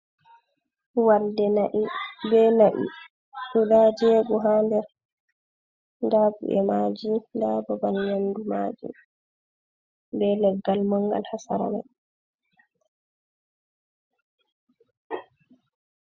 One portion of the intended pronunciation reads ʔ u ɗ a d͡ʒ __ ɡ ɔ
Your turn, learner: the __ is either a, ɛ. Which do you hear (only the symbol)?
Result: ɛ